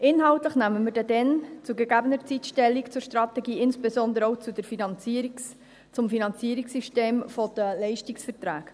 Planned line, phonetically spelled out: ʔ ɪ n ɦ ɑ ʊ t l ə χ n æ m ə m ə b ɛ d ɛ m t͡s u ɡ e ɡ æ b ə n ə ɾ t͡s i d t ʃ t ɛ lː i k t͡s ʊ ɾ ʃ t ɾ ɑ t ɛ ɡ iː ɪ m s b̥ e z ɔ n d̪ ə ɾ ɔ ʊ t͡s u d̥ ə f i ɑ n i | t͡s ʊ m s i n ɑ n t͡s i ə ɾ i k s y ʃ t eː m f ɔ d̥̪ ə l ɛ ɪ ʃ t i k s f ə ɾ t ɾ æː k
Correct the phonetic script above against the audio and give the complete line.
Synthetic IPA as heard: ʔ ɪ n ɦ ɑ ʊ t l ə χ n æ m ə m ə d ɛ d ɛ n t͡s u ɡ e ɡ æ b ə n ə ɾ t͡s i t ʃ t ɛ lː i k t͡s ʊ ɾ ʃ t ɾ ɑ t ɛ ɡ iː ɪ n s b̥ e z ɔ n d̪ ə ɾ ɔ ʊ t͡s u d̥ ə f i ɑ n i | t͡s ʊ m f i n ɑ n t͡s i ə ɾ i k s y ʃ t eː m f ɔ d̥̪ ə l ɛ ɪ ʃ t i k s f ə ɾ t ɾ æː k